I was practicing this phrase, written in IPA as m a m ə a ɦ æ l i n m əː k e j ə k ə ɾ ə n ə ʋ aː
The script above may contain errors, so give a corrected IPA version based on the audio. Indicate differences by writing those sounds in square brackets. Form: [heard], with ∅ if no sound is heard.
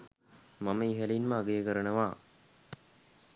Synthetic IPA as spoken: m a m ə [i] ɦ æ l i n m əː [ɡ] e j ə k ə ɾ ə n ə ʋ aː